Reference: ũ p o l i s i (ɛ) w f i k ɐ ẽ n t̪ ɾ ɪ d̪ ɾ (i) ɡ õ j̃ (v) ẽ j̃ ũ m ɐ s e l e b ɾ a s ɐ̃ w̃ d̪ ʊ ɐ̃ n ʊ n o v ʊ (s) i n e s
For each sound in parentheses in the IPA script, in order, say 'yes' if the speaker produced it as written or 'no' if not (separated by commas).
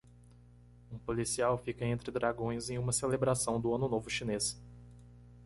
no, no, no, no